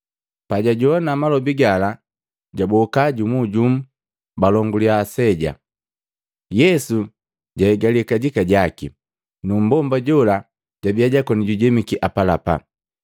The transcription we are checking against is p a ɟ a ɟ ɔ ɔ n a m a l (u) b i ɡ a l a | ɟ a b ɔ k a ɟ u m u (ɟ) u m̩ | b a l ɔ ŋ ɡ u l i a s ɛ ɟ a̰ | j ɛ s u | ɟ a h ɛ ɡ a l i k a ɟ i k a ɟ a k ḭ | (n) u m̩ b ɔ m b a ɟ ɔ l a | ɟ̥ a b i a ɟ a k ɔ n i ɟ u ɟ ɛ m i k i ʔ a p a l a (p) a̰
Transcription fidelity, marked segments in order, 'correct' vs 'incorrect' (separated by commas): incorrect, correct, correct, correct